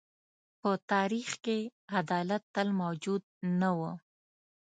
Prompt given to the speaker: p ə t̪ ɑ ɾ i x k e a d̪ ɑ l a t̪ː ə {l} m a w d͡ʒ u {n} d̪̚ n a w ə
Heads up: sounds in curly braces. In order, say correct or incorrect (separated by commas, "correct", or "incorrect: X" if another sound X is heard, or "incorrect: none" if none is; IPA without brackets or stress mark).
correct, incorrect: none